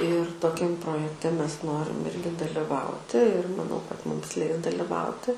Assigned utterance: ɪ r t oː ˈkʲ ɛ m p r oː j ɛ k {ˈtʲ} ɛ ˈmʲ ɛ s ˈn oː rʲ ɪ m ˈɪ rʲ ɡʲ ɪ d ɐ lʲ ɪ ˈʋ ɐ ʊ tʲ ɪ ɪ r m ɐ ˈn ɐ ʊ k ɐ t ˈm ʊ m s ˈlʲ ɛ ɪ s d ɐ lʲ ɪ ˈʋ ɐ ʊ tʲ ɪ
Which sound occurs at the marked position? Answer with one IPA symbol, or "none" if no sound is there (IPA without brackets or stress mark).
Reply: tʲ